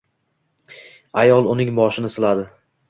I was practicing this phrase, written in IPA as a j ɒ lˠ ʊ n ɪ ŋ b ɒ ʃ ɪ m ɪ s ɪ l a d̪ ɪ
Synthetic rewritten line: a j ɒ lˠ ʊ n ɪ ŋ b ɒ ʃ ɪ n ɪ s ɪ l a d̪ ɪ